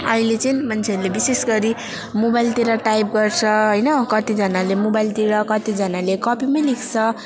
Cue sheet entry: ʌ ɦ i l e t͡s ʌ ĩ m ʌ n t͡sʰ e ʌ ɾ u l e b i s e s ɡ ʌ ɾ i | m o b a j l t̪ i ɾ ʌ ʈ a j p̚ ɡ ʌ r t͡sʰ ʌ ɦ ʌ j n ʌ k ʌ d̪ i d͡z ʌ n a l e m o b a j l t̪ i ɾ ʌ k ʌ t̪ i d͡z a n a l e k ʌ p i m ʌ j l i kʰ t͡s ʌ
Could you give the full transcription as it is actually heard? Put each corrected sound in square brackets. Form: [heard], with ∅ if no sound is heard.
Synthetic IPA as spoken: ʌ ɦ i l e t͡s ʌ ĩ m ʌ n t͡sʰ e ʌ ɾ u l e b i s e s ɡ ʌ ɾ i | m o b a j l t̪ i ɾ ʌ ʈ a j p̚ ɡ ʌ r t͡sʰ ʌ ɦ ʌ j n ʌ k ʌ [t̪] i d͡z ʌ n a l e m o b a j l t̪ i ɾ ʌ k ʌ t̪ i d͡z [ʌ] n a l e k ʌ p i m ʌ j l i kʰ [t͡sʰ] ʌ